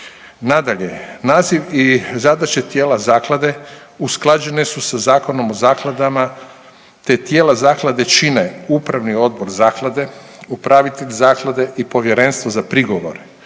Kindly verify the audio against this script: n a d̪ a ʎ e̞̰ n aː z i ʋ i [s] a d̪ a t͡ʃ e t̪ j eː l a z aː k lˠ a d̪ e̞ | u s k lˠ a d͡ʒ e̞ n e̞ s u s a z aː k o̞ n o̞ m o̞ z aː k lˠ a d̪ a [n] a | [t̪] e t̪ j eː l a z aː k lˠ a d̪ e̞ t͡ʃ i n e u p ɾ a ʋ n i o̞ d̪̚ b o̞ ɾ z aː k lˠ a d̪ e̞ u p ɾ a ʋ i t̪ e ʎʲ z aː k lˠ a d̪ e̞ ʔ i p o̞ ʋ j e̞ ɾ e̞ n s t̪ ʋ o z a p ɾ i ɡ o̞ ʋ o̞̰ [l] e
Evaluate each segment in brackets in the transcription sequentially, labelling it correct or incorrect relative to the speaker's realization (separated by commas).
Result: incorrect, incorrect, correct, incorrect